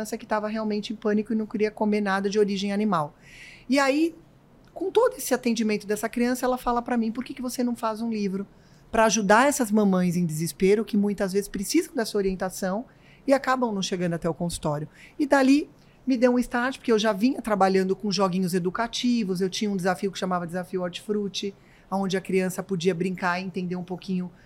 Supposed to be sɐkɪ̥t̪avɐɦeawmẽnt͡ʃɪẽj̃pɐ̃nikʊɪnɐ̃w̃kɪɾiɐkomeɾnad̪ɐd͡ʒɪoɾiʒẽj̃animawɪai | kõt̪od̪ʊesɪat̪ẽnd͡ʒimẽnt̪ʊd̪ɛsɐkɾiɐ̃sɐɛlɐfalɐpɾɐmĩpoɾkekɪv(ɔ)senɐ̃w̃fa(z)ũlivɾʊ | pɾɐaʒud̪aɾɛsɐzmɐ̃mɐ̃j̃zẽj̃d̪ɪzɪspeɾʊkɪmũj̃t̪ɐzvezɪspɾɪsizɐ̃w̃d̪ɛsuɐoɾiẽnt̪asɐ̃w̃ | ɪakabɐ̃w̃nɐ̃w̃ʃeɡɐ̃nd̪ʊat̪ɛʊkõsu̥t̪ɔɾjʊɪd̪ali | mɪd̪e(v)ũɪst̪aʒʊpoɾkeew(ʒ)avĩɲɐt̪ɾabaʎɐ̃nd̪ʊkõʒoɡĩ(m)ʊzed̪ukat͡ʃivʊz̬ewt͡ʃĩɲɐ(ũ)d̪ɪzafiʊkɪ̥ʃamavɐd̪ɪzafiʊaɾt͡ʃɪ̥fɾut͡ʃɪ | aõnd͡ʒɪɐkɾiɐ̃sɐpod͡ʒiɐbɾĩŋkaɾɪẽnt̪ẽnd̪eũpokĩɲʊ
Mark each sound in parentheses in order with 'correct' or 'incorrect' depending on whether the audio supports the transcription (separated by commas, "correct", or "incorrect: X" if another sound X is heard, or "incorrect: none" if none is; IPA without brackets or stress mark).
incorrect: o, correct, incorrect: w, correct, incorrect: ɲ, correct